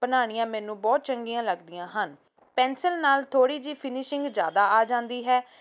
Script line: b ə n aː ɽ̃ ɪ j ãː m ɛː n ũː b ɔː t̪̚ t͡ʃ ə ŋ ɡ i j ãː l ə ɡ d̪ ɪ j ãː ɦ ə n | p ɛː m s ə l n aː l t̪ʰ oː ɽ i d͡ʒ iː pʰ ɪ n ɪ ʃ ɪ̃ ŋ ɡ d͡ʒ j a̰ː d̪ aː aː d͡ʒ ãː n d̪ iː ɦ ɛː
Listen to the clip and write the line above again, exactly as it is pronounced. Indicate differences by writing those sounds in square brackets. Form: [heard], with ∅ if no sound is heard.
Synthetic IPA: b ə n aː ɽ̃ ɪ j ãː m ɛː n ũː b ɔː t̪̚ t͡ʃ ə ŋ ɡ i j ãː l ə ɡ d̪ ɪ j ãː ɦ ə n | p ɛː [n] s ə l n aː l t̪ʰ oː ɽ [iː] d͡ʒ iː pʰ ɪ n ɪ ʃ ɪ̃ ŋ ɡ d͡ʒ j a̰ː d̪ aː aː d͡ʒ ãː n d̪ iː ɦ ɛː